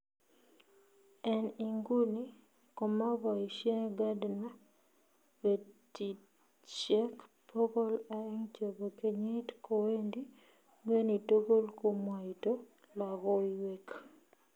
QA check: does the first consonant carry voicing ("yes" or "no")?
yes